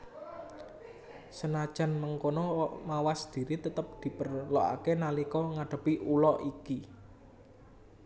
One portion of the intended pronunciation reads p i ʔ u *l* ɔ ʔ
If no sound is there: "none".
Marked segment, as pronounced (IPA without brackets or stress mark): l